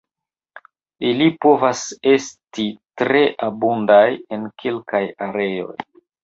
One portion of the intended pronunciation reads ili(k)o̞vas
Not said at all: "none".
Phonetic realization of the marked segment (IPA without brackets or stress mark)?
p